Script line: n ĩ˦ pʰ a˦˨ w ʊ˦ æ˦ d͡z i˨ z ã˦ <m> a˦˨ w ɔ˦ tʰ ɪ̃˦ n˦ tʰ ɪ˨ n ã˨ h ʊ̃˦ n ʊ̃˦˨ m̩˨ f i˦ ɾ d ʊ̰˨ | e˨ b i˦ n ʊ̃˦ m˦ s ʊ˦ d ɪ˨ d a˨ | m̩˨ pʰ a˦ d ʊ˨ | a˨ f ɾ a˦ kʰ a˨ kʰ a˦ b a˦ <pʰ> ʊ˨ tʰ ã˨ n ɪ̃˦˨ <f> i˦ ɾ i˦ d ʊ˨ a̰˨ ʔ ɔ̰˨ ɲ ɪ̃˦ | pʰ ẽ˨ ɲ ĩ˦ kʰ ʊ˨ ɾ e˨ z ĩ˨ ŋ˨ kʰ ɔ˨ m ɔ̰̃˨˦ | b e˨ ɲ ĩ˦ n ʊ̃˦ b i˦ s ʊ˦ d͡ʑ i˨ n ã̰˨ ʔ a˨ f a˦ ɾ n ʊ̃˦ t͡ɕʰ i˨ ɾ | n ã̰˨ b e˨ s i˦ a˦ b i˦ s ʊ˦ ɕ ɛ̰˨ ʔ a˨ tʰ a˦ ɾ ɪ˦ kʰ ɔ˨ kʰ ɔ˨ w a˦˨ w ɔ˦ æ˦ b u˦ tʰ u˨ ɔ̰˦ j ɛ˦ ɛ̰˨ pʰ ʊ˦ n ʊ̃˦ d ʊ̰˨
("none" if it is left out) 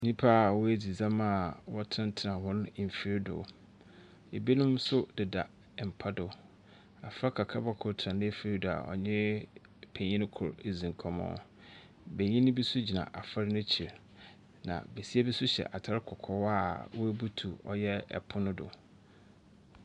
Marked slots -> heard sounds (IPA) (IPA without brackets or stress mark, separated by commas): m, kʰ, f